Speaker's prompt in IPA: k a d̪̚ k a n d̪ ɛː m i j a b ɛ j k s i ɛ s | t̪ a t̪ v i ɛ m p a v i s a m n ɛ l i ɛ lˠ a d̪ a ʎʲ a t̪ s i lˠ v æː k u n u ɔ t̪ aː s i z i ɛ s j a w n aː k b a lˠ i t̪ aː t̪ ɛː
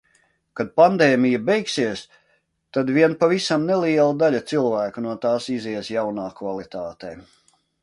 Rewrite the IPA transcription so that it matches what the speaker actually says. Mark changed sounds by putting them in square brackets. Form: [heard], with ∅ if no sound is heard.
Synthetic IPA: k a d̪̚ [p] a n d̪ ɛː m i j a b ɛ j k s i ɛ s | t̪ a [d̪] v i ɛ [n] p a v i s a m n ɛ l i ɛ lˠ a d̪ a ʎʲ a t̪ s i lˠ v æː k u n u ɔ t̪ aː s i z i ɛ s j a w n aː k [v] a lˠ i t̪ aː t̪ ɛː